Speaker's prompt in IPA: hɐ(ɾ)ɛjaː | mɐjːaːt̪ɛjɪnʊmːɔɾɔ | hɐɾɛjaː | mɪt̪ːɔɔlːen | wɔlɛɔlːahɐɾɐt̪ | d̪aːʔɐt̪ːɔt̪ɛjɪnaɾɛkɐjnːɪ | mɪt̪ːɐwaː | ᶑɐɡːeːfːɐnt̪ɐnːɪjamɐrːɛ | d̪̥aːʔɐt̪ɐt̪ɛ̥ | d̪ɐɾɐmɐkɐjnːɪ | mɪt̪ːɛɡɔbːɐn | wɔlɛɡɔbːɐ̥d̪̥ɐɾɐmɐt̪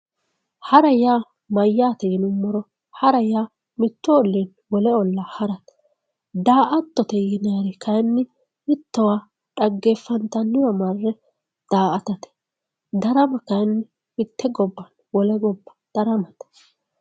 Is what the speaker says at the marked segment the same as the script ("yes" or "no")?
yes